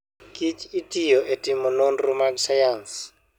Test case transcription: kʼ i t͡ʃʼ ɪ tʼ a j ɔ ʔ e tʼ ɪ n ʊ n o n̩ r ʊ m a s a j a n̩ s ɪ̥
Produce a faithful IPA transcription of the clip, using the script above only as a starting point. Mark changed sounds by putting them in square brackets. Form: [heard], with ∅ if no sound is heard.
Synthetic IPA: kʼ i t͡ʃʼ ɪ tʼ [i] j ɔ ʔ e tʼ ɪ [m] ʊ n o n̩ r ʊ m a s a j a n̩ s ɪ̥